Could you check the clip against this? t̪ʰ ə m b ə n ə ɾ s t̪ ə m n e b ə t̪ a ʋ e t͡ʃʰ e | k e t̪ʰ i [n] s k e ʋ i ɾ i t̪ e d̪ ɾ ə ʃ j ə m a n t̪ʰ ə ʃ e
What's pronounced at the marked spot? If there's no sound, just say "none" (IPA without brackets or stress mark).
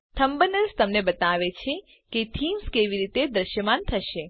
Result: m